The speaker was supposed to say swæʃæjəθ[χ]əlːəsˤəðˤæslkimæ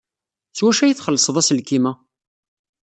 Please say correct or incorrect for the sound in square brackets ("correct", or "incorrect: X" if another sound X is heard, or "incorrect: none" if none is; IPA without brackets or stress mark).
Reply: correct